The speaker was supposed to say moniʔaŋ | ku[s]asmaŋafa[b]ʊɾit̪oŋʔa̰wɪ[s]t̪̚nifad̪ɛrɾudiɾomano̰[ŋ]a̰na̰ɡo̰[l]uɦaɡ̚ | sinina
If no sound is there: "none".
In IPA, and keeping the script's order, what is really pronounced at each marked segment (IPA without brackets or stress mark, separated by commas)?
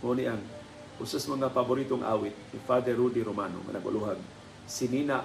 s, b, none, ŋ, l